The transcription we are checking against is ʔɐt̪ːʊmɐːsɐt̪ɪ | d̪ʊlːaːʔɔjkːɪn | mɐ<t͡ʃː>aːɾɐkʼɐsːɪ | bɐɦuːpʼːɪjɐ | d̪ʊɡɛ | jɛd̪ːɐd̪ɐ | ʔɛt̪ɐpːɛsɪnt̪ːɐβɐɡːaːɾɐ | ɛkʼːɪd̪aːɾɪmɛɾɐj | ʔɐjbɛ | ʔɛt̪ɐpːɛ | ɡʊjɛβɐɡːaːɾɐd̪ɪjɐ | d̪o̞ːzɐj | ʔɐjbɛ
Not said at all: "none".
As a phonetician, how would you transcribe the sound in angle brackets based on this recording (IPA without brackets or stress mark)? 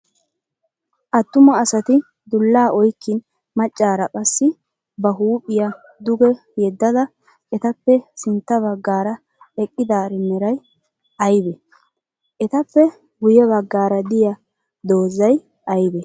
t͡ʃʼː